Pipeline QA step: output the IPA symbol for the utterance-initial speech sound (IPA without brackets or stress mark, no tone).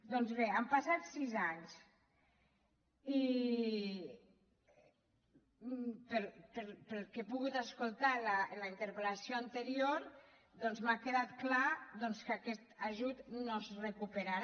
d̪